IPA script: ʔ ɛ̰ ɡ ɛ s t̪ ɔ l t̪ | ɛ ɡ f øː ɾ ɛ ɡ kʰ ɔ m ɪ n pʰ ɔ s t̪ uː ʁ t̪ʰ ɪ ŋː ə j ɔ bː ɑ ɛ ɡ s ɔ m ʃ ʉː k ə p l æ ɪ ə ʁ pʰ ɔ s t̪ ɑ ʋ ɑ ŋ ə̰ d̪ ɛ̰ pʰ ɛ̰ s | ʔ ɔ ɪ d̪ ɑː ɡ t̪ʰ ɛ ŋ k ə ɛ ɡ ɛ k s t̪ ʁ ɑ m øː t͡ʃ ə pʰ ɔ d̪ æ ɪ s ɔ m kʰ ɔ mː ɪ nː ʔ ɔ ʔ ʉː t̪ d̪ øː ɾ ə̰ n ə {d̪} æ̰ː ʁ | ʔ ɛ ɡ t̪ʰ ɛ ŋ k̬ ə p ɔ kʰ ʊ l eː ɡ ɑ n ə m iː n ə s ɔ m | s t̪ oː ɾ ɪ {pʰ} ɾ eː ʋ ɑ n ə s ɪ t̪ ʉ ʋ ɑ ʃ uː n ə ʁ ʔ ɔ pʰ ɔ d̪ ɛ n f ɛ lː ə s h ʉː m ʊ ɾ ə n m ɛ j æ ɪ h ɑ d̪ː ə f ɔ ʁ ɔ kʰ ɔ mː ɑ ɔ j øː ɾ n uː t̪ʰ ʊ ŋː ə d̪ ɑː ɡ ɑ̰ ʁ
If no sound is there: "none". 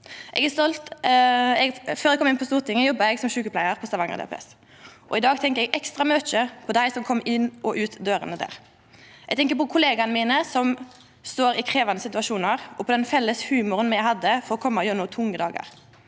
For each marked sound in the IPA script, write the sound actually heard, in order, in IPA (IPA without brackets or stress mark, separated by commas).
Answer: d̪, kʰ